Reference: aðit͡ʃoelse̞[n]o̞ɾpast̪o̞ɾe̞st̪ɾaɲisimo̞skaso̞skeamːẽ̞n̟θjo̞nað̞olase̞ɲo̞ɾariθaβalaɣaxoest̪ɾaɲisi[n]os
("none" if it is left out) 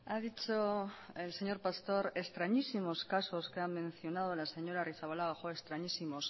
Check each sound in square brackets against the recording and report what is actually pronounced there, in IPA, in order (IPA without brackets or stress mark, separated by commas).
ɲ, m